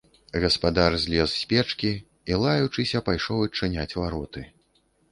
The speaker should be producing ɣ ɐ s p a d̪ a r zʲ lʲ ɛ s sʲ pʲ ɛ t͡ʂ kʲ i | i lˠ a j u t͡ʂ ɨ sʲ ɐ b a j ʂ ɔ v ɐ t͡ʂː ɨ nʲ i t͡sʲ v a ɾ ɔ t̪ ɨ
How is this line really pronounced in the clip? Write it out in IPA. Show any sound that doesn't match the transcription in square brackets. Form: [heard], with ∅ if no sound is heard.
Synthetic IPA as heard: ɣ ɐ s p a d̪ a r zʲ lʲ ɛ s sʲ pʲ ɛ t͡ʂ kʲ i | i lˠ a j u t͡ʂ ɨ sʲ ɐ [p] a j ʂ ɔ [w] ɐ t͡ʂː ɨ nʲ [a] t͡sʲ v a ɾ ɔ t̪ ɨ